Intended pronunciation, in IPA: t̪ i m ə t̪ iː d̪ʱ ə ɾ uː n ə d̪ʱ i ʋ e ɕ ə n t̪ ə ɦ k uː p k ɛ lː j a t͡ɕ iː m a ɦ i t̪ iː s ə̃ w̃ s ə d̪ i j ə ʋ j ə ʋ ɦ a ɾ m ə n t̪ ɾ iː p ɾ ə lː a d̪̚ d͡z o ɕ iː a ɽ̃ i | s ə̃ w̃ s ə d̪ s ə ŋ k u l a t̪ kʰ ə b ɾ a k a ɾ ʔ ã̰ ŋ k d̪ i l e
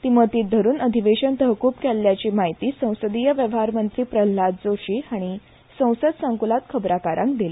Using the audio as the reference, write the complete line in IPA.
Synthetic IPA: t̪ i m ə t̪ iː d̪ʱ ə ɾ uː n ə d̪ʱ i ʋ e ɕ ə n t̪ ə ɦ k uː p k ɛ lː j a t͡ɕ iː m a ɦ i t̪ iː s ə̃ w̃ s ə d̪ i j ə ʋ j ə ʋ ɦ a ɾ m ə n t̪ ɾ iː p ɾ ə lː a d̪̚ d͡z o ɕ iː a ɽ̃ i | s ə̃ w̃ s ə d̪ s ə ŋ k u l a t̪ kʰ ə b ɾ a k a ɾ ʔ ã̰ ŋ k d̪ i l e

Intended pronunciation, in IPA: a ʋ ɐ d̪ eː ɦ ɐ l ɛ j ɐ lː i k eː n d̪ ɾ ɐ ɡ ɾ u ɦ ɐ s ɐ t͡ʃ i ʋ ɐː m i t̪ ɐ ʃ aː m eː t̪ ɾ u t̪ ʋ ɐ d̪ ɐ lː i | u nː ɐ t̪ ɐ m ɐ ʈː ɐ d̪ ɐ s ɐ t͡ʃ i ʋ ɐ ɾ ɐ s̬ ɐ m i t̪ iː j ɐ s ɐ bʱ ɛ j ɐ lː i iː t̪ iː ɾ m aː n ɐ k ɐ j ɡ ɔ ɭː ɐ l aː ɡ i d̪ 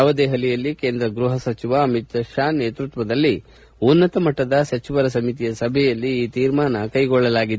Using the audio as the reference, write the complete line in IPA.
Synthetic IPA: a ʋ ɐ d̪ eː ɦ ɐ l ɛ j ɐ lː i k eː n d̪ ɾ ɐ ɡ ɾ u ɦ ɐ s ɐ t͡ʃ i ʋ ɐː m i t̪ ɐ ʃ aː n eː t̪ ɾ u t̪ ʋ ɐ d̪ ɐ lː i | u nː ɐ t̪ ɐ m ɐ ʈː ɐ d̪ ɐ s ɐ t͡ʃ i ʋ ɐ ɾ ɐ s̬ ɐ m i t̪ i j ɐ s ɐ bʱ ɛ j ɐ lː i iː t̪ iː ɾ m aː n ɐ k ɐ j ɡ ɔ ɭː ɐ l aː ɡ i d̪

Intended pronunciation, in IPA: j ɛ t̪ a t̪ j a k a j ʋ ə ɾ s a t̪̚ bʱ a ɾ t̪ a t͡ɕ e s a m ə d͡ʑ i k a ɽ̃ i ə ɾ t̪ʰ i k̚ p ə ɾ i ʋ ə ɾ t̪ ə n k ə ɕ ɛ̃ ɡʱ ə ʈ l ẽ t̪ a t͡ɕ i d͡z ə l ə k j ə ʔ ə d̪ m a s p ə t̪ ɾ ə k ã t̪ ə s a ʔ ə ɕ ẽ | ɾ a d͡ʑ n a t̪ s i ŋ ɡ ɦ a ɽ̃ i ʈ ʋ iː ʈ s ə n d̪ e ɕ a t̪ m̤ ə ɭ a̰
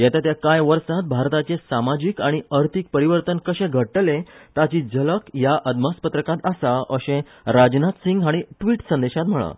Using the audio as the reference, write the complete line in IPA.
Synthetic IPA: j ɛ t̪ a t̪ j a k a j ʋ ə ɾ s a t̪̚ bʱ a ɾ t̪ a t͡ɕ e s a m a d͡ʑ i k a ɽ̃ i ə ɾ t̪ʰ i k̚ p ə ɾ i ʋ ə ɾ t̪ ə n k ə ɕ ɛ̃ ɡʱ ə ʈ l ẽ t̪ a t͡ɕ i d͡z ə l ə k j a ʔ ə d̪ m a s p ə t̪ ɾ ə k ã t̪ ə s a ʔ ə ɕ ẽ | ɾ a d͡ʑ n a t̪ s i ŋ ɡ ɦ a ɽ̃ i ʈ ʋ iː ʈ s ə n d̪ e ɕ a t̪ m̤ ə ɭ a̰

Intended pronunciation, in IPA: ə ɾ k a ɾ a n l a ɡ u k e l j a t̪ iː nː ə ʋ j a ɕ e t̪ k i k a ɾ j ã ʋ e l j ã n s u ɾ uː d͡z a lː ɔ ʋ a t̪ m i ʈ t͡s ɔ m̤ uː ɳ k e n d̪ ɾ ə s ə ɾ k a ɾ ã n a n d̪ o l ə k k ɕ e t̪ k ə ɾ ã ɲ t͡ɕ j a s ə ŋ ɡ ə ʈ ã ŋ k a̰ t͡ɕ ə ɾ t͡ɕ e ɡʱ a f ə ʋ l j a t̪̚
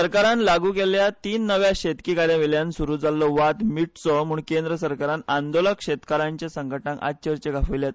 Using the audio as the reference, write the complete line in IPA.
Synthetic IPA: ə ɾ k a ɾ a n l a ɡ u k e l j a t̪ iː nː ə ʋ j a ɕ e t̪ k i k a ɾ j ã ʋ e l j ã n s u ɾ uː d͡z a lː ɔ ʋ a t̪ m i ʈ t͡s ɔ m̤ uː ɳ k e n d̪ ɾ ə s ə ɾ k a ɾ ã n a n d̪ o l ə k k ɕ e t̪ k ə ɾ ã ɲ t͡ɕ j a s ə ŋ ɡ ə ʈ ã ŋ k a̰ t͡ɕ ə ɾ t͡ɕ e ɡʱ a f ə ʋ l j a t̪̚

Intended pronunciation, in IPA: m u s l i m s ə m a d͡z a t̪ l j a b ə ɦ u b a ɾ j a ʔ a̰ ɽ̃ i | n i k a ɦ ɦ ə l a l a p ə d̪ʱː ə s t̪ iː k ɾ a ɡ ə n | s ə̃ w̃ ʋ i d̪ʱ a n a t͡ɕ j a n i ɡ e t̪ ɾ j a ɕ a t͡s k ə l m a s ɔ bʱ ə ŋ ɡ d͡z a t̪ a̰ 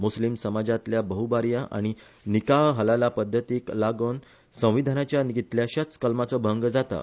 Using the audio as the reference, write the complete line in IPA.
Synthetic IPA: m u s l i m s ə m a d͡z a t̪ l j a b ə ɦ u b a ɾ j a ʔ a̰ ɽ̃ i | n i k a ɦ ɦ ə l a l a p ə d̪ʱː ə t̪ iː k l a ɡ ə n | s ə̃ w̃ ʋ i d̪ʱ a n a t͡ɕ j a n i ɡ i t̪ l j a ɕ a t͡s k ə l m a t͡s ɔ bʱ ə ŋ ɡ d͡z a t̪ a̰

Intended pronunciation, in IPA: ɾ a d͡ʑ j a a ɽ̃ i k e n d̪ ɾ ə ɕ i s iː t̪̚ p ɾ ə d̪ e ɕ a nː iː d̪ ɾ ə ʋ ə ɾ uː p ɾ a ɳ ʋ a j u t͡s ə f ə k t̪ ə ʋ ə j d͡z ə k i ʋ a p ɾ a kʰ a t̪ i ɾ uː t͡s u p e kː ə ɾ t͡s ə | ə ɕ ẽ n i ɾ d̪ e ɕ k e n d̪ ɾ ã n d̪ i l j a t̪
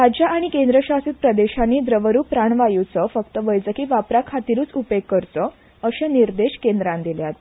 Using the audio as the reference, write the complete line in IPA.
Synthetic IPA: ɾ a d͡ʑ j a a ɽ̃ i k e n d̪ ɾ ə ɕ a s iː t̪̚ p ɾ ə d̪ e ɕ a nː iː d̪ ɾ ə ʋ ə ɾ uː p ɾ a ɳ ʋ a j u t͡s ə f ə k t̪ ə ʋ ə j d͡z ə k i ʋ a p ɾ a kʰ a t̪ i ɾ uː t͡s u p e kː ə ɾ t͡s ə | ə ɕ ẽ n i ɾ d̪ e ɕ k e n d̪ ɾ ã n d̪ i l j a t̪

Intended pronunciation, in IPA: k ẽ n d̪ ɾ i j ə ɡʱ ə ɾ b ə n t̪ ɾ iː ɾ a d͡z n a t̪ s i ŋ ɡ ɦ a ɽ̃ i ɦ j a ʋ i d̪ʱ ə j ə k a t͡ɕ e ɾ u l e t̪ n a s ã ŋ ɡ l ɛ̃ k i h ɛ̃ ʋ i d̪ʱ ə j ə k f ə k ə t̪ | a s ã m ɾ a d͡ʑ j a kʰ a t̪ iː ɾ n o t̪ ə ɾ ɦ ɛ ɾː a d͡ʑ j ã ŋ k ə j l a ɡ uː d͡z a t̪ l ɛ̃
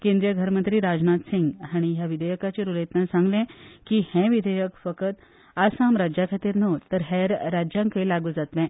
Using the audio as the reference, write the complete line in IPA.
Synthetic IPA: k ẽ n d̪ ɾ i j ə ɡʱ ə ɾ m ə n t̪ ɾ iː ɾ a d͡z n a t̪ s i ŋ ɡ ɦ a ɽ̃ i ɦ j a ʋ i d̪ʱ ə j ə k a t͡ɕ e ɾ u l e t̪ n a s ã ŋ ɡ l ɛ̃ k i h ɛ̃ ʋ i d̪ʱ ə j ə k f ə k ə t̪ | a s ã m ɾ a d͡ʑ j a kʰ a t̪ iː ɾ n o t̪ ə ɾ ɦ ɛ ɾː a d͡ʑ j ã ŋ k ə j l a ɡ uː d͡z a t̪ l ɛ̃

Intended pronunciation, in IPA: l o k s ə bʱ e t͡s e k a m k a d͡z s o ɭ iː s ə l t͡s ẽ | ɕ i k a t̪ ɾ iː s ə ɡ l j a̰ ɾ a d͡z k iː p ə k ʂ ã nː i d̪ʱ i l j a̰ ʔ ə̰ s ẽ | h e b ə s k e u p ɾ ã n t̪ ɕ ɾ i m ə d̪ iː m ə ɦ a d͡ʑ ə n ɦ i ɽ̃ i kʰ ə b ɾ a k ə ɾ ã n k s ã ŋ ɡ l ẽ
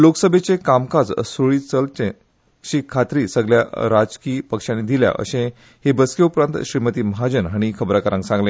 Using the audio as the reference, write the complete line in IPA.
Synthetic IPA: l o k s ə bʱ e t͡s e k a m k a d͡z s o ɭ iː t͡s ə l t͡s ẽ | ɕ i kʰ a t̪ ɾ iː s ə ɡ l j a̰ ɾ a d͡z k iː p ə k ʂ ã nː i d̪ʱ i l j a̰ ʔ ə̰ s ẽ | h e b ə s k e u p ɾ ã n t̪ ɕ ɾ i m ə t̪ iː m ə ɦ a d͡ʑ ə n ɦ a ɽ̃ i kʰ ə b ɾ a k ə ɾ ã ŋ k s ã ŋ ɡ l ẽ

